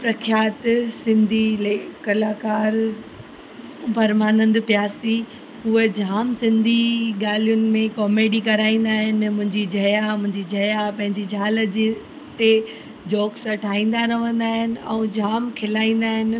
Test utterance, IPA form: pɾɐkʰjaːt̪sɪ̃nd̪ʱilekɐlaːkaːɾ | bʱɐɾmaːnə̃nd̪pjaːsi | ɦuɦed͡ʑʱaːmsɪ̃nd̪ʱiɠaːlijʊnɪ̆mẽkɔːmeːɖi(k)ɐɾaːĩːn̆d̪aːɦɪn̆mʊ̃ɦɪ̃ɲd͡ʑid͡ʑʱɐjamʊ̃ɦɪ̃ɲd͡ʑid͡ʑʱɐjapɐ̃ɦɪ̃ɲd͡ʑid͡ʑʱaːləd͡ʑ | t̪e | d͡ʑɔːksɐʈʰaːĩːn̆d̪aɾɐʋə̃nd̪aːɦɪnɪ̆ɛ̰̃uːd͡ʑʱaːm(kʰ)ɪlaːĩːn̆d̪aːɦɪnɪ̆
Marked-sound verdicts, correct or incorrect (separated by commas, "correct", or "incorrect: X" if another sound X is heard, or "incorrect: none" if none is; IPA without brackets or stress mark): correct, correct